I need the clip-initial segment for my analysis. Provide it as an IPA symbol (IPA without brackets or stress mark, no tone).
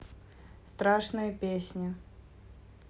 s